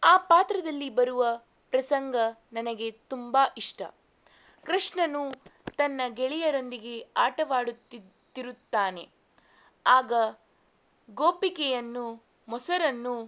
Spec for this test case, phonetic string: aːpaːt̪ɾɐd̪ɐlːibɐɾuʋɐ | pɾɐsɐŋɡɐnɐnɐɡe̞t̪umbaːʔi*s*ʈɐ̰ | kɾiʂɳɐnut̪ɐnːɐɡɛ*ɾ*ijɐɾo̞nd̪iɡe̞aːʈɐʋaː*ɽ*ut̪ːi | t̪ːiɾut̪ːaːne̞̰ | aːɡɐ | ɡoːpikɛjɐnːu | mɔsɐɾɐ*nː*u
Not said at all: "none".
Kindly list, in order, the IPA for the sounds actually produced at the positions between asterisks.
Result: ʂ, ɭ, ɽ, nː

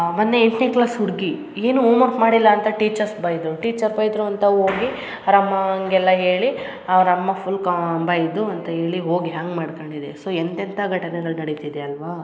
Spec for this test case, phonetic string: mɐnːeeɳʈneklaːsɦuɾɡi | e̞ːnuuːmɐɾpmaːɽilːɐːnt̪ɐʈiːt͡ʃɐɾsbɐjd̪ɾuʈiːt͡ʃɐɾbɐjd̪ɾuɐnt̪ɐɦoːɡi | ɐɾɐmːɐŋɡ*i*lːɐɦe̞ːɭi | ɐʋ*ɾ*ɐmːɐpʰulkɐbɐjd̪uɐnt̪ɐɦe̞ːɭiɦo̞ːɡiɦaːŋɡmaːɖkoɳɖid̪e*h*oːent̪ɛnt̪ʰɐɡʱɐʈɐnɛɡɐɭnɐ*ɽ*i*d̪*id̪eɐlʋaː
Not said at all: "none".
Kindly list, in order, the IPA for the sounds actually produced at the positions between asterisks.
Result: ɛ, ɾ, s, ɽ, t̪

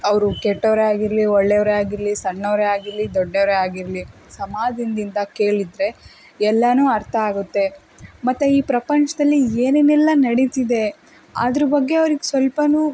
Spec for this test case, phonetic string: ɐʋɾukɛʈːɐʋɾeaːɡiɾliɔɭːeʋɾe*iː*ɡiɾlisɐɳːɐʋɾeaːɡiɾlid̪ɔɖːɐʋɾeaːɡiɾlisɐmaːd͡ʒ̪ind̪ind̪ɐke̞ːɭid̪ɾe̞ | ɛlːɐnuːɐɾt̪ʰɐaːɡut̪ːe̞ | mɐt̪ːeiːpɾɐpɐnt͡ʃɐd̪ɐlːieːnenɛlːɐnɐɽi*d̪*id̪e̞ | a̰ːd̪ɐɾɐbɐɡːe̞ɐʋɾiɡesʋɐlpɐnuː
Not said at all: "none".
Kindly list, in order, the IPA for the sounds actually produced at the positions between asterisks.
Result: aː, t̪

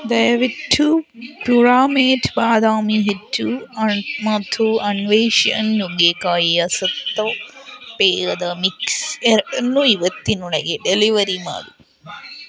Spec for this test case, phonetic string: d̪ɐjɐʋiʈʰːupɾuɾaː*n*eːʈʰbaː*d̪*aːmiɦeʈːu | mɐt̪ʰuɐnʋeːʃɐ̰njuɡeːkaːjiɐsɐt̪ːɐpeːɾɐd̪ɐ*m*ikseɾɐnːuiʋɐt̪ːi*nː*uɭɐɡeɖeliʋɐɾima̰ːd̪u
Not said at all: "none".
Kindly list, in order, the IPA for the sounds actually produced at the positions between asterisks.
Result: m, d̪, m, n

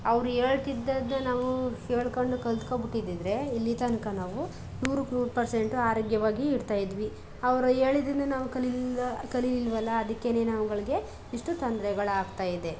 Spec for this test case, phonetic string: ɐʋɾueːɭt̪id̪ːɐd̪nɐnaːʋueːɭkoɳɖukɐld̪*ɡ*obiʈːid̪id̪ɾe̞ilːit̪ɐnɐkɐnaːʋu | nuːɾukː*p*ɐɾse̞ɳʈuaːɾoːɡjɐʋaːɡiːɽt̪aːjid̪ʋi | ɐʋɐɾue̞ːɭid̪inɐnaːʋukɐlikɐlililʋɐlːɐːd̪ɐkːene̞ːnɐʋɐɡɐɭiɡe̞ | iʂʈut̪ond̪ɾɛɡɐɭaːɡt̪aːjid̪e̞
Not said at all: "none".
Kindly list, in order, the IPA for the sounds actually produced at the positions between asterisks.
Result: k, p

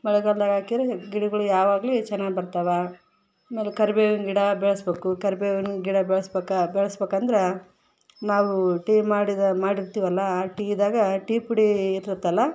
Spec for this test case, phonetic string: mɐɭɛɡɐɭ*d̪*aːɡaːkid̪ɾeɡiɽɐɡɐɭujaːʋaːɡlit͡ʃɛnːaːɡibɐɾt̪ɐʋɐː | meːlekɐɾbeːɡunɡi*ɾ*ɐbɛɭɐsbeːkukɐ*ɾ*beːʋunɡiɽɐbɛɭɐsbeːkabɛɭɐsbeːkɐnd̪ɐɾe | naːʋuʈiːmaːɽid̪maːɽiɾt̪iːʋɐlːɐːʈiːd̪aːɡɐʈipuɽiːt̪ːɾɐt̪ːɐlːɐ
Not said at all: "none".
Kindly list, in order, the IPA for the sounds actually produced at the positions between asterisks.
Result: d̪, ɽ, ɾ

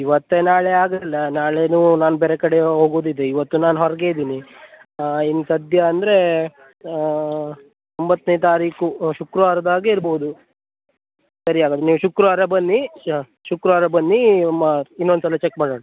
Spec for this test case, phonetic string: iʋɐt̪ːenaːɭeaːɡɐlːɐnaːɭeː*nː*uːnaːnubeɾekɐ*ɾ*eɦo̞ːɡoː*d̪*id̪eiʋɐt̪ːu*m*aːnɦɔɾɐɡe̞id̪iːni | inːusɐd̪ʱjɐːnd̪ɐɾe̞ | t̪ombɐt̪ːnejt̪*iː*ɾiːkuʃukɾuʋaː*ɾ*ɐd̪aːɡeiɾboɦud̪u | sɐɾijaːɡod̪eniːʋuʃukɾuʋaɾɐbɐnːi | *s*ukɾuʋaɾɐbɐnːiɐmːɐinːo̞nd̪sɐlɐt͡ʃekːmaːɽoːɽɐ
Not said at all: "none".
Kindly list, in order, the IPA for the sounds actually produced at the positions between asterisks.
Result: n, ɽ, d̪, n, aː, ɾ, ʃ

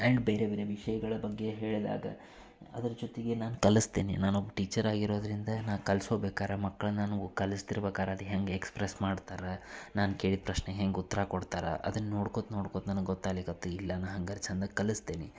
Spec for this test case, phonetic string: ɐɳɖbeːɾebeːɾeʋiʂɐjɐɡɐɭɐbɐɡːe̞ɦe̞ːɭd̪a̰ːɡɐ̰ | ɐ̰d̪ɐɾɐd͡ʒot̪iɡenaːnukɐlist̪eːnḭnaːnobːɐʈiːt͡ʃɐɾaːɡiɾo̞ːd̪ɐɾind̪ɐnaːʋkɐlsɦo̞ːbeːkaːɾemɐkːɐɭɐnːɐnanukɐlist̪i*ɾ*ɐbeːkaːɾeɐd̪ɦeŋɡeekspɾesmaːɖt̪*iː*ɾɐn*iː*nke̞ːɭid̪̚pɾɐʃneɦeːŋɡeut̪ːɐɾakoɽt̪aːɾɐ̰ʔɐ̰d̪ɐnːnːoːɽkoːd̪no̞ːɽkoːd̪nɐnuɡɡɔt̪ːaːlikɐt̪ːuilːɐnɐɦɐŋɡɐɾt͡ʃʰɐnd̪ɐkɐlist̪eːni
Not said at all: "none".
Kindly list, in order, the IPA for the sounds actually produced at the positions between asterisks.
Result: ɾ, aː, aː

